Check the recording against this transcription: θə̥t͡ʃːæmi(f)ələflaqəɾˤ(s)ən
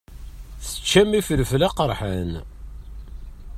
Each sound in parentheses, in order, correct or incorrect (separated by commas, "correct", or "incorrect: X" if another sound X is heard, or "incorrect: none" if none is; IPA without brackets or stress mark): correct, incorrect: ħ